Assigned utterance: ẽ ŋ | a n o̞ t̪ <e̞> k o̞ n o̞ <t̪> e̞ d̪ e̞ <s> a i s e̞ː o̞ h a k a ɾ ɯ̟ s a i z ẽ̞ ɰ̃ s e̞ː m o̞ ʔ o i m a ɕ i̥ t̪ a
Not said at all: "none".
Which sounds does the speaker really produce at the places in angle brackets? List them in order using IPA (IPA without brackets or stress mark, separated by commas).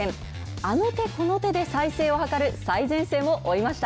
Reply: e̞, t̪, s